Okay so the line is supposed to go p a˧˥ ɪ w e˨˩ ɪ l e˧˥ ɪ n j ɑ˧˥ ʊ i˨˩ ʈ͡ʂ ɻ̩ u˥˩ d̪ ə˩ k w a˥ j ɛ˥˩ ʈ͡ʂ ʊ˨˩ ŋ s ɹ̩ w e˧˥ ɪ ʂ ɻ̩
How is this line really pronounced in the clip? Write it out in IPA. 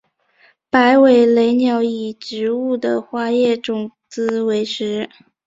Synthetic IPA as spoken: p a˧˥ ɪ w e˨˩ ɪ l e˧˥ ɪ n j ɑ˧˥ ʊ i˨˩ ʈ͡ʂ ɻ̩ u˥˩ d̪ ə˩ x w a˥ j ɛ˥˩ ʈ͡ʂ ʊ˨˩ ŋ t͡s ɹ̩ w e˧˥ ɪ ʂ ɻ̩